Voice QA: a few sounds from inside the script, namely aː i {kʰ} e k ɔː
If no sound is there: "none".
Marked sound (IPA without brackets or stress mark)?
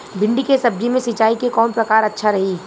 k